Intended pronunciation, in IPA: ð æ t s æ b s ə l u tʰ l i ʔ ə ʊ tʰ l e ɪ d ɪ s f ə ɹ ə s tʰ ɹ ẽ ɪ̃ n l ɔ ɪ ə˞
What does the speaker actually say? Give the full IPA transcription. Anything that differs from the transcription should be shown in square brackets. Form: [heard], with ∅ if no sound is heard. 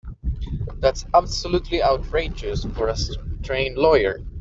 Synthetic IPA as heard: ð æ t s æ b s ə l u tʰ l i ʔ [a] ʊ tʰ [ɹ] e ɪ [d͡ʒ] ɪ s f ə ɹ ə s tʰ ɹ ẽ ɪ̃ n l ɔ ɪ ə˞